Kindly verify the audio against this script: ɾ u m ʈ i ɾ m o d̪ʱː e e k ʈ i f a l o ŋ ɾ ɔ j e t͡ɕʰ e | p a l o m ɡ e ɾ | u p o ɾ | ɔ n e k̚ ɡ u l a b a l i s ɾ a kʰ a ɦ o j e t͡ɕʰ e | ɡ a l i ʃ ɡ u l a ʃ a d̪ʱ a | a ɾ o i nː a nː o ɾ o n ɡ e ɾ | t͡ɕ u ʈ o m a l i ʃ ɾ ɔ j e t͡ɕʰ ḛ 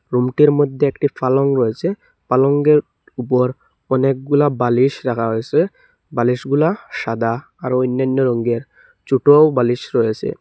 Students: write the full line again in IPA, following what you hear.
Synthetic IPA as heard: ɾ u m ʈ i ɾ m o d̪ʱː e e k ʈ i f a l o ŋ ɾ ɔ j e t͡ɕʰ e | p a l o ŋ ɡ e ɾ | u p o ɾ | ɔ n e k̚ ɡ u l a b a l i ʃ ɾ a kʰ a ɦ o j e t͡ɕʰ e | b a l i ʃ ɡ u l a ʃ a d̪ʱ a | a ɾ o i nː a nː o ɾ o ŋ ɡ e ɾ | t͡ɕ u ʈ o b a l i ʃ ɾ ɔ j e t͡ɕʰ ḛ

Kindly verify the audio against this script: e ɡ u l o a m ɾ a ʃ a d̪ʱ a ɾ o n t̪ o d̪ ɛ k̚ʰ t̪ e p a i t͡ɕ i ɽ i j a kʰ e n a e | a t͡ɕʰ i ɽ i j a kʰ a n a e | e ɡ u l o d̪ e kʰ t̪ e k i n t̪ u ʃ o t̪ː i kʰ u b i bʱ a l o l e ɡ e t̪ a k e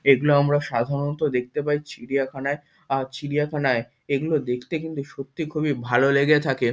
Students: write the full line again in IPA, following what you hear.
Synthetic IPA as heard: e ɡ u l o a m ɾ a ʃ a d̪ʱ a ɾ o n t̪ o d̪ e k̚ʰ t̪ e p a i t͡ɕ i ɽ i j a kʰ a n a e | a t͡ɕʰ i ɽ i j a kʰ a n a e | e ɡ u l o d̪ e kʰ t̪ e k i n t̪ u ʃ o t̪ː i kʰ u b i bʱ a l o l e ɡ e t̪ʰ a k e

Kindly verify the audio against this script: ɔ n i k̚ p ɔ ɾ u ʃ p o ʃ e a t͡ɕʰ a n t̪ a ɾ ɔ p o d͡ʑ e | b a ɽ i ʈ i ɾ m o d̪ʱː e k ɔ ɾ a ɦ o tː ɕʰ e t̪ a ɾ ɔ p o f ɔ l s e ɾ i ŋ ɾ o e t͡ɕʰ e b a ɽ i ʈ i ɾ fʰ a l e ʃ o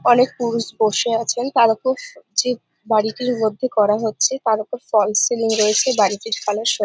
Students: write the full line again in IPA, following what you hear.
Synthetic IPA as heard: ɔ n e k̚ p u ɾ u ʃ b o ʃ e a t͡ɕʰ e n t̪ a ɾ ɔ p o d͡ʑ e | b a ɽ i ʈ i ɾ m o d̪ʱː e k ɔ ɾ a ɦ o tː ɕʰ e t̪ a ɾ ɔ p o f ɔ l s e l i ŋ ɾ o e t͡ɕʰ e b a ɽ i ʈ i ɾ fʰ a l e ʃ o

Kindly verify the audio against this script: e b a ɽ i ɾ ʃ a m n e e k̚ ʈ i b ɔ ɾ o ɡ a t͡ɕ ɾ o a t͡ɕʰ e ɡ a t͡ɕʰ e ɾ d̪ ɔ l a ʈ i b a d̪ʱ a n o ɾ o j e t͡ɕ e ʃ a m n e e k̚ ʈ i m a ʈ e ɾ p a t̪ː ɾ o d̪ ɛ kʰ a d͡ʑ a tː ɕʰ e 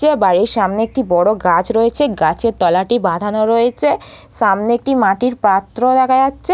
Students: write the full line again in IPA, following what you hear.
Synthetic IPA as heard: e b a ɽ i ɾ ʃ a m n e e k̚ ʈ i b ɔ ɽ o ɡ a t͡ɕ ɾ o e t͡ɕʰ e ɡ a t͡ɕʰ e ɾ t̪ ɔ l a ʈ i b a d̪ʱ a n o ɾ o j e t͡ɕʰ e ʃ a m n e e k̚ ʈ i m a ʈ i ɾ p a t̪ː ɾ o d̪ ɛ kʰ a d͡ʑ a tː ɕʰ e

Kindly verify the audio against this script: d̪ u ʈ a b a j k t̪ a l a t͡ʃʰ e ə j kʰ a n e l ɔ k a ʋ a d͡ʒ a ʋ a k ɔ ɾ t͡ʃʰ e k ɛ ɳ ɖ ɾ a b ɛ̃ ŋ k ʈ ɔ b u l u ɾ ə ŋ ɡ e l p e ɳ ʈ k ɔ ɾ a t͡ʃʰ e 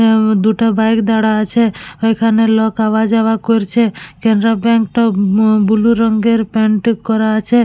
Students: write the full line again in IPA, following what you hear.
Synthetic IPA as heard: d̪ u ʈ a b a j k d̪ a ɽ a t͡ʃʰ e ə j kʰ a n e l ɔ k a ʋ a d͡ʒ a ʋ a k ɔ ɾ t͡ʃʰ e k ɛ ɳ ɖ ɾ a b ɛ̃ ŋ k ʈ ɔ b u l u ɾ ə ŋ ɡ e ɾ p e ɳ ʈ k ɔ ɾ a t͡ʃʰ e

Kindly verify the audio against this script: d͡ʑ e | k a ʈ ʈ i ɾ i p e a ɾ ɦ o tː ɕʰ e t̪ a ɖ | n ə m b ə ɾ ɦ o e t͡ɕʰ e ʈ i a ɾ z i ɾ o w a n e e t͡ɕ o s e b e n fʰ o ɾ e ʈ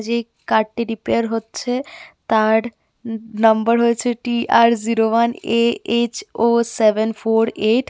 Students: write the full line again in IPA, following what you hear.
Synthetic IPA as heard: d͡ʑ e | k a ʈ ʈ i ɾ i p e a ɾ ɦ o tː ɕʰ e t̪ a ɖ | n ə m b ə ɾ ɦ o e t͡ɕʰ e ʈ i a ɾ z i ɾ o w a n e e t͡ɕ o s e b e n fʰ o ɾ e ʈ

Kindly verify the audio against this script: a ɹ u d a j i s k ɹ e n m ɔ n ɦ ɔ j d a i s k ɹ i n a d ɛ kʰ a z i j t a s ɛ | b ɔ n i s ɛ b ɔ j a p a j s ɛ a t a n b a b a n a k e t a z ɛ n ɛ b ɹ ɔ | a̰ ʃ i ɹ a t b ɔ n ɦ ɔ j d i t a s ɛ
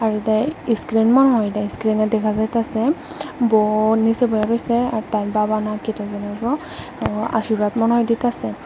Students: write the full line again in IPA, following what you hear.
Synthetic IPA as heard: a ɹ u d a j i s k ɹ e n m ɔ n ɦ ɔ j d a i s k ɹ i n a d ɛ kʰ a z a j t a s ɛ | b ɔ n i s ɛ b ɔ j a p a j s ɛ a t a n b a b a n a k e t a z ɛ n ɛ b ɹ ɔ | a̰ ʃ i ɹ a t m ɔ n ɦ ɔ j d i t a s ɛ

